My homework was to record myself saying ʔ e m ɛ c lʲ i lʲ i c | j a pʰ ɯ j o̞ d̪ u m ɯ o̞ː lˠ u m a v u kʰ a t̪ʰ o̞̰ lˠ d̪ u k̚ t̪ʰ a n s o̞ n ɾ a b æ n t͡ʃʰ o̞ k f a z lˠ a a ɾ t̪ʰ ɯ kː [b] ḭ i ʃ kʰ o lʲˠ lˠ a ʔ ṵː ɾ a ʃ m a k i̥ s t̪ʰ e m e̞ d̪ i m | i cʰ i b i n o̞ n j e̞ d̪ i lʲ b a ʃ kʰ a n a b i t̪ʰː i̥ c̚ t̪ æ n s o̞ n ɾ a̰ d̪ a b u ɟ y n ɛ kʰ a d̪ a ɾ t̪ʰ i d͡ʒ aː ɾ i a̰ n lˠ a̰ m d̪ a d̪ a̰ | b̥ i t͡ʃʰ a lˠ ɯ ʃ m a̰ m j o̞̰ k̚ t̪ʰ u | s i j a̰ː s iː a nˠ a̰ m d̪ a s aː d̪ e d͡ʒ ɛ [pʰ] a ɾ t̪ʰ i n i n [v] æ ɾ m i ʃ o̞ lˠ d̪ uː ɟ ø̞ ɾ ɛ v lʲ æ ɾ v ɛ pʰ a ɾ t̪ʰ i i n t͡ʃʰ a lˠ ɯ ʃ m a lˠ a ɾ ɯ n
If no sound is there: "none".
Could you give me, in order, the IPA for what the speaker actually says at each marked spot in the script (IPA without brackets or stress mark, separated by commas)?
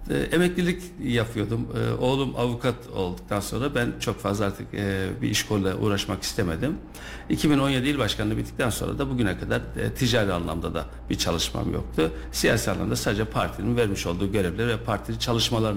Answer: b, pʰ, v